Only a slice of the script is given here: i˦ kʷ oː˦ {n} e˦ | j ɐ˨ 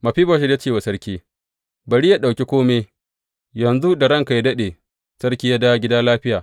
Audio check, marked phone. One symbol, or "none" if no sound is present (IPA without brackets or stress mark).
m